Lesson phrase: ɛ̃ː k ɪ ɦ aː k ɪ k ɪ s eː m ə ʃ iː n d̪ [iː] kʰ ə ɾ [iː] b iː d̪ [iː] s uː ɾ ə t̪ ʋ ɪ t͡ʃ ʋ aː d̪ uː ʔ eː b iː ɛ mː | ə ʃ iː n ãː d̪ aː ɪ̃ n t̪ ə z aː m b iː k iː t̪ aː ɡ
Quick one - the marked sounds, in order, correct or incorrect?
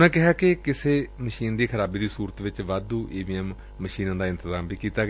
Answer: correct, incorrect: aː, correct

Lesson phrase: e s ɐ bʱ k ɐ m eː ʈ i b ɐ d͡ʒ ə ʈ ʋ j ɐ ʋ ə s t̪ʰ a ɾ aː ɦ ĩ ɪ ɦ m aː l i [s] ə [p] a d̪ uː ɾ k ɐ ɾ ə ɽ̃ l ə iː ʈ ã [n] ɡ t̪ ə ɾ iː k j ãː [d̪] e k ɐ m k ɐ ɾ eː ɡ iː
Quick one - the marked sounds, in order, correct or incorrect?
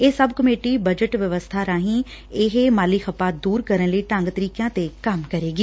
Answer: incorrect: x, correct, incorrect: ŋ, incorrect: t̪

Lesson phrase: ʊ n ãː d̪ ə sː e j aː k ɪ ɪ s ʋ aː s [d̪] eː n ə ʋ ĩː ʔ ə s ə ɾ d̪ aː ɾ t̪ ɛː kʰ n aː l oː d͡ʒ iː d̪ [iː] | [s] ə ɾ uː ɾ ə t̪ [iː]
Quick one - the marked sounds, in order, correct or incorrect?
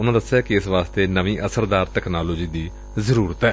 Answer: incorrect: t̪, correct, incorrect: z, incorrect: ɛː

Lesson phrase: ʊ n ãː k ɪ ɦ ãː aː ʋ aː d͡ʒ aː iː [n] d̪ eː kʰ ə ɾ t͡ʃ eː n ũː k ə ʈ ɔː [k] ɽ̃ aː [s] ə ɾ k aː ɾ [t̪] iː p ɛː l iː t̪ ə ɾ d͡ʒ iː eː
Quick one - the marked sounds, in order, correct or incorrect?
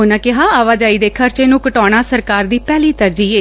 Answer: incorrect: none, incorrect: none, correct, incorrect: d̪

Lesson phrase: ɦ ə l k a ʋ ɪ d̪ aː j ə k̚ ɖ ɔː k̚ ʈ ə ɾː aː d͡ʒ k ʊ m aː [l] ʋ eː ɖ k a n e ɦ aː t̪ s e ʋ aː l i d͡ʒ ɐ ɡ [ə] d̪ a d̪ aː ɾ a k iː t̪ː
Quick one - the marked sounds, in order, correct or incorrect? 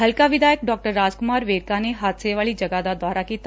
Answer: incorrect: ɾ, incorrect: a

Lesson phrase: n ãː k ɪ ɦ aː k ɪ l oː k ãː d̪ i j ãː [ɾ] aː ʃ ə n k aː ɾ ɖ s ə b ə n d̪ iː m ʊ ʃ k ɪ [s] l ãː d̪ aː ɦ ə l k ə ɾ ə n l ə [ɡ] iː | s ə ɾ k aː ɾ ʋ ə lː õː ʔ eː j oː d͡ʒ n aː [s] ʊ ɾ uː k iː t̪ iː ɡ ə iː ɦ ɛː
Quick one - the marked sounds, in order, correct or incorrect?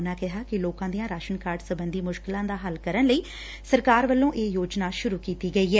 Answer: correct, incorrect: none, incorrect: none, incorrect: ʃ

